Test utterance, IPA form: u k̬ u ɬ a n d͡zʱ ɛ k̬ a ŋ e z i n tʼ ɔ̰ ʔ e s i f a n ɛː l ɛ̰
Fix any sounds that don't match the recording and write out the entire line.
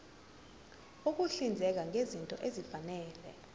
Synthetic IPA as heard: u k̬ u ɬ i n d͡zʱ ɛ k̬ a ŋ e z i n tʼ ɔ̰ ʔ e z i f a n ɛː l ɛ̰